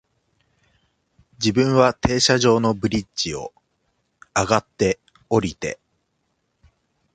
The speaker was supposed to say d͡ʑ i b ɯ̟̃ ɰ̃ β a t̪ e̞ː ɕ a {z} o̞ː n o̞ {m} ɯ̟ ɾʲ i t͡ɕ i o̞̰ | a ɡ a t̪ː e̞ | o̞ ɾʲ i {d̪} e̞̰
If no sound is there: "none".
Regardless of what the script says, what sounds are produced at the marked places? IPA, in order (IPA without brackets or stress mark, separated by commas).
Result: ʑ, b, t̪